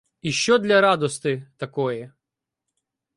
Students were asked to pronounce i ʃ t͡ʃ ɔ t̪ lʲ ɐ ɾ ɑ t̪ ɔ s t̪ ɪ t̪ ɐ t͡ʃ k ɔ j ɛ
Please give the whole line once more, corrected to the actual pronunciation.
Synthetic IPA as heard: i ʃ t͡ʃ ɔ d̪ lʲ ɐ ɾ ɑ d̪ ɔ s t̪ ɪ t̪ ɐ k ɔ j ɛ